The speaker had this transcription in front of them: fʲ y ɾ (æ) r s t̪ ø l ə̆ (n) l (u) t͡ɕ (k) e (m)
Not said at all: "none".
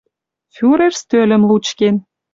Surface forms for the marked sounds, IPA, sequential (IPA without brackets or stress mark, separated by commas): e, m, u, k, n